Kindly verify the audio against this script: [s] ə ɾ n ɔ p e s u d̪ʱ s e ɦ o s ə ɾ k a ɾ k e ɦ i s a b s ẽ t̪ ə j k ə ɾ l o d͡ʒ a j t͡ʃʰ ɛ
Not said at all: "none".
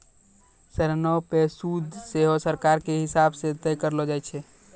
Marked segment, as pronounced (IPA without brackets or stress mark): s